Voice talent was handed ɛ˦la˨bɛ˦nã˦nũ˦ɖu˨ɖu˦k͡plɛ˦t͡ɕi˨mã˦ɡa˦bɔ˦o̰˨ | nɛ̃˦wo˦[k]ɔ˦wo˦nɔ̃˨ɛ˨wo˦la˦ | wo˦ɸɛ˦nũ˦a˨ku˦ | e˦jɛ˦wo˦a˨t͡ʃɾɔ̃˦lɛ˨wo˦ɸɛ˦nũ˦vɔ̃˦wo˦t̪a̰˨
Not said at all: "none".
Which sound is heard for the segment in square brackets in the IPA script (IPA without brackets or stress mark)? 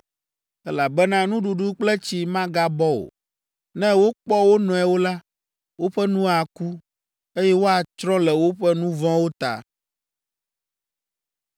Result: k͡p